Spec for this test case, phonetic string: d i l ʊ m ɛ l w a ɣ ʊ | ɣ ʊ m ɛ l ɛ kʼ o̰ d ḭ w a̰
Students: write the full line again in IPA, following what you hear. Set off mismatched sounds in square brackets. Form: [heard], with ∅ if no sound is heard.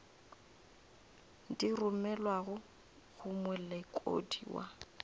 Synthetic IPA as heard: d i [r] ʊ m ɛ l w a ɣ ʊ | ɣ ʊ m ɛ l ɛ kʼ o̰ d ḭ w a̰